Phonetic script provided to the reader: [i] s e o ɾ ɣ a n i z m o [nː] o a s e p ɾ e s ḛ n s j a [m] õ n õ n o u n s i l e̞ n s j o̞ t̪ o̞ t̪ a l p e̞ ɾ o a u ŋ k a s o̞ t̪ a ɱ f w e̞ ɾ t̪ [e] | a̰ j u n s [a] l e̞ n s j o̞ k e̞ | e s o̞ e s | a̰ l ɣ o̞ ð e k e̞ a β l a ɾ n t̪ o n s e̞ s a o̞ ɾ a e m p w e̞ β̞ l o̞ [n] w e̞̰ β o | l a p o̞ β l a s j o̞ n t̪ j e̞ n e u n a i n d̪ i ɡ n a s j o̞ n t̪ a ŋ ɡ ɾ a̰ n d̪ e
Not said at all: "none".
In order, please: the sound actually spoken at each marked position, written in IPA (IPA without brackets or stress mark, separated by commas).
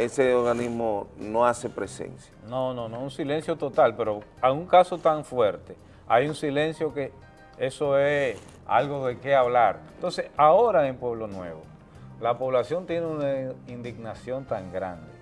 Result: e, n, n, e, i, n